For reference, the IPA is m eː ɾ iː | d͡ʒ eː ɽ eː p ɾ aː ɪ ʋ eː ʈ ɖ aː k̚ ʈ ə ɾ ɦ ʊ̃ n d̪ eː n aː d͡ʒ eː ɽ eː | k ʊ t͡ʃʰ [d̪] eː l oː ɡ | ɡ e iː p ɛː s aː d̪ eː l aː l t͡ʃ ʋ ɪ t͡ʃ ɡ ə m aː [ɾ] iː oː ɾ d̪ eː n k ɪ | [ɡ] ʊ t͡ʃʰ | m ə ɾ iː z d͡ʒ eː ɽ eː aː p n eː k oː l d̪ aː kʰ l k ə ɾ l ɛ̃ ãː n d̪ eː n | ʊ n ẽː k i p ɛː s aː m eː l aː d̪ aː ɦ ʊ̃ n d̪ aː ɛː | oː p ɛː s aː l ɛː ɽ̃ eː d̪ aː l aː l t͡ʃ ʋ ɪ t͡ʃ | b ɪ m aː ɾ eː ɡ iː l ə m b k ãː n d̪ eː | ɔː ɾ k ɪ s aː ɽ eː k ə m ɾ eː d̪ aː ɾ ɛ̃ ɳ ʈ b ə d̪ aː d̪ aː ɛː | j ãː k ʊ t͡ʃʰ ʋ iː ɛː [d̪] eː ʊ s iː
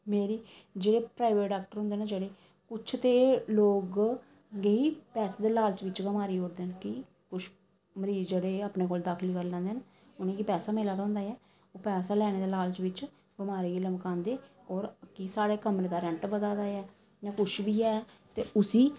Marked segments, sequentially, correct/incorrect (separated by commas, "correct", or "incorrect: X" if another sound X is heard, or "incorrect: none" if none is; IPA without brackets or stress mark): incorrect: t̪, correct, incorrect: k, incorrect: t̪